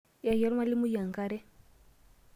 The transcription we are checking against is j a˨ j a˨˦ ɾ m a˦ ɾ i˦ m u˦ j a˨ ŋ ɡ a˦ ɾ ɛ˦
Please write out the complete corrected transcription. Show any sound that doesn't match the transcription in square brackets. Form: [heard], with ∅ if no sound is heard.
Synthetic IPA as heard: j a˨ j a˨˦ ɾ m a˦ [l] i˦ m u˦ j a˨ ŋ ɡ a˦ ɾ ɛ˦